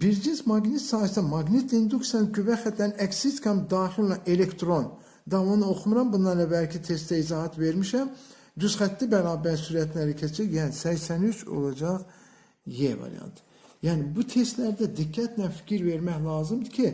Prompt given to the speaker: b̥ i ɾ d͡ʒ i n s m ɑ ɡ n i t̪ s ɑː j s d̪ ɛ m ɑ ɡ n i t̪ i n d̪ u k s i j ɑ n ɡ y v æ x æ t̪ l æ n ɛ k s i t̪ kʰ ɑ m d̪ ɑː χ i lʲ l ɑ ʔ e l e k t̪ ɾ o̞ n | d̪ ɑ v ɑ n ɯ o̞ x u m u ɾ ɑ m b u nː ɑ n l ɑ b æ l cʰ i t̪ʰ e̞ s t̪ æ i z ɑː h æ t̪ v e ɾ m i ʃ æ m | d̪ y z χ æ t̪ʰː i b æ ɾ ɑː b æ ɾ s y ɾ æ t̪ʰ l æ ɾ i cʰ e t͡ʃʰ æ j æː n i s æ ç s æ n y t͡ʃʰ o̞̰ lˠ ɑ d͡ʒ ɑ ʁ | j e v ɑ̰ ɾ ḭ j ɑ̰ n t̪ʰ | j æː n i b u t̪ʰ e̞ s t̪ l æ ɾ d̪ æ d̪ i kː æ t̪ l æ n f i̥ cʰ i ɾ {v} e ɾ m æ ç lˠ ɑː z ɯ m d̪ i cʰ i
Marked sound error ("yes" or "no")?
no